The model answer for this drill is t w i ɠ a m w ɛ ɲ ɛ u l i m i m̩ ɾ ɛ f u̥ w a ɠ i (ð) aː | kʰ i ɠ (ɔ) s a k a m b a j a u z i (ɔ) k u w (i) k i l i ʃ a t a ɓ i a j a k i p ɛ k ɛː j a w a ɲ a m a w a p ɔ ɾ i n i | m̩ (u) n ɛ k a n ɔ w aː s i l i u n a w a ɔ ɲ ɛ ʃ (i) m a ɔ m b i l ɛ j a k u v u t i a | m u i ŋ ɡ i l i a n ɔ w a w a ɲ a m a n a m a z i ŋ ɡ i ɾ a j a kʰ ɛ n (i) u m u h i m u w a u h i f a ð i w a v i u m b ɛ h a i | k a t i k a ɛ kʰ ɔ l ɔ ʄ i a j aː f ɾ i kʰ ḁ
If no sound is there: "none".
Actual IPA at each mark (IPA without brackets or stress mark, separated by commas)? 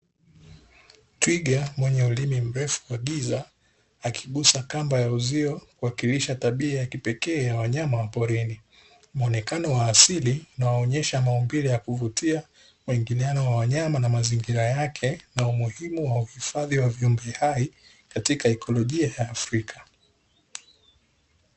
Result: z, u, ɔ, a, ɔ, a, a